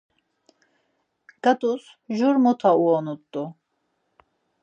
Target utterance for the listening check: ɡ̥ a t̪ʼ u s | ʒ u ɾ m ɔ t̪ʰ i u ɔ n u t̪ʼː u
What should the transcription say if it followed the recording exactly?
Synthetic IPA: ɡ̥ a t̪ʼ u s | ʒ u ɾ m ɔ t̪ʰ a u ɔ n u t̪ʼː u

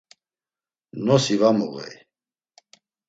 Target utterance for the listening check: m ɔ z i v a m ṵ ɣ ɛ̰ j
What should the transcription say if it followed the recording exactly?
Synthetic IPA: n ɔ s i v a m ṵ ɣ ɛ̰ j

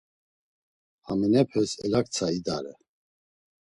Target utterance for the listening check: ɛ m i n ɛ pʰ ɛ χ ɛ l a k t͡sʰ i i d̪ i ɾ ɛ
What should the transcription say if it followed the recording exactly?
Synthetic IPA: a m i n ɛ pʰ ɛ s ɛ l a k t͡sʰ a i d̪ a ɾ ɛ

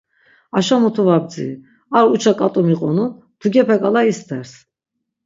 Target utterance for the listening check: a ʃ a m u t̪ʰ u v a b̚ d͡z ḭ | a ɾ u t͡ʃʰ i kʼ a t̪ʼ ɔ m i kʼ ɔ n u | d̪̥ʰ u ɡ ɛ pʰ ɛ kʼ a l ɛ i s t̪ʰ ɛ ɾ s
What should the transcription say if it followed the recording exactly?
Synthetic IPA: a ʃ a m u t̪ʰ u v a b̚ d͡z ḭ | a ɾ u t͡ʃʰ a kʼ a t̪ʼ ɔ m i qʼ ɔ n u | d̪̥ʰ u ɡ ɛ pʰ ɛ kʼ a l a i s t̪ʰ ɛ ɾ s

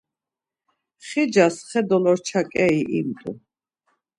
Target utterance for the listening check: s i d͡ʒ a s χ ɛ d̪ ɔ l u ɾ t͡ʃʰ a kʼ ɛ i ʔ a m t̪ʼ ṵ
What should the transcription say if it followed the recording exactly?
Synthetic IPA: χ i d͡ʒ a s χ ɛ d̪ ɔ l ɔ ɾ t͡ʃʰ a kʼ ɛ i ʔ i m t̪ʼ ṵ

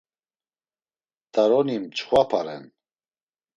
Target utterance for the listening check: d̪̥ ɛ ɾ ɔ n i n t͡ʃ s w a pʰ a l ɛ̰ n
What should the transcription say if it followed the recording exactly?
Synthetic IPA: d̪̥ a ɾ ɔ n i m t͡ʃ χ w a pʰ a ɾ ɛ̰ n

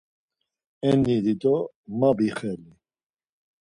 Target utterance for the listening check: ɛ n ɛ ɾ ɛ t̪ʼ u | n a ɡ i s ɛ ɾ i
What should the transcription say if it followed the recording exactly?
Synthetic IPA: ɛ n i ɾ i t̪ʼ ɔ | m a b i χ ɛ l i

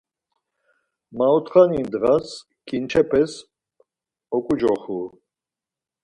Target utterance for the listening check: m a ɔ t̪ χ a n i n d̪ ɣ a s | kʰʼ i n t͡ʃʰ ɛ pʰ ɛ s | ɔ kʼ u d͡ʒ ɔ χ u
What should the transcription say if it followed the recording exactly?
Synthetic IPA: m a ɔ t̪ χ a n i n d̪ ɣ a s | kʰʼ i n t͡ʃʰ ɛ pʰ ɛ s | ɔ kʼ u d͡ʒ ɔ χ u

